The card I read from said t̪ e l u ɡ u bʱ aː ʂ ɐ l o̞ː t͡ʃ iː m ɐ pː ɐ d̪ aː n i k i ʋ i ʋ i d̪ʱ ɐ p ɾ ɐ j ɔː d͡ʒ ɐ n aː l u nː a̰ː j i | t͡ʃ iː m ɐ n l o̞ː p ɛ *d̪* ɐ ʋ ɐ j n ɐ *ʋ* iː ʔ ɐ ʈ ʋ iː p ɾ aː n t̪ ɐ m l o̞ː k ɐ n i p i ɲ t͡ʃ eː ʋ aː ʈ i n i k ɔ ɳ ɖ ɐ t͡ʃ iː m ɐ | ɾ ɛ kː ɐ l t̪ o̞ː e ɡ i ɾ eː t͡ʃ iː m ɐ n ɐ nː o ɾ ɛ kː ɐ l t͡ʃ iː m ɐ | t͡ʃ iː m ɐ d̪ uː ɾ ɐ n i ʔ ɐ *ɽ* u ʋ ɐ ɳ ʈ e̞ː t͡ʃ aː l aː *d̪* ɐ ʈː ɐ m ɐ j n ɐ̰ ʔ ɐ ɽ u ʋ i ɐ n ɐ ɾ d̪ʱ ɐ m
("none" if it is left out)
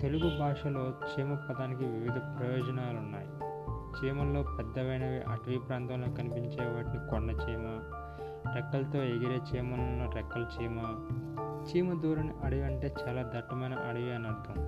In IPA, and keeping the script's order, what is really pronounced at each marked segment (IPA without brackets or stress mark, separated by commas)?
d̪ː, ʋ, ɽ, d̪